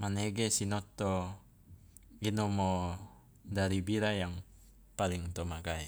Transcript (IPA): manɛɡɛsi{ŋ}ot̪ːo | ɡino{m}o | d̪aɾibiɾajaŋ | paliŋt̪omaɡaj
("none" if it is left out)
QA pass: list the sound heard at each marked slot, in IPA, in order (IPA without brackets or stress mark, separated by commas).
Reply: n, m